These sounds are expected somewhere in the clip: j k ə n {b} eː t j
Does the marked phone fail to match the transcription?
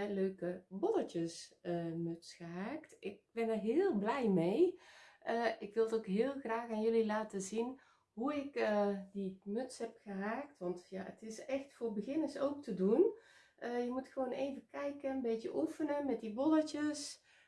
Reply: no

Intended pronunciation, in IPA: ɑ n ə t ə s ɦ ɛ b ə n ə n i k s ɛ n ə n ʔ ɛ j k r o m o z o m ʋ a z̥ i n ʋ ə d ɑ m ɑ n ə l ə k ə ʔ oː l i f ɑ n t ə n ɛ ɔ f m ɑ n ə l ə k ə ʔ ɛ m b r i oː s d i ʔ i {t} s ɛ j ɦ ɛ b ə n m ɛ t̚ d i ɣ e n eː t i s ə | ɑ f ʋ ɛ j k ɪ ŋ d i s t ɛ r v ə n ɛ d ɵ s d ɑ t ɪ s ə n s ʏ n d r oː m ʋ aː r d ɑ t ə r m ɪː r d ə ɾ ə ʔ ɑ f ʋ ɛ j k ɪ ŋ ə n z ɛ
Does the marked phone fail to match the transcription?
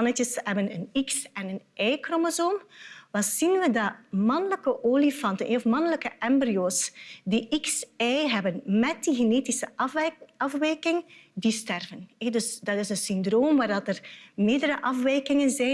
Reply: yes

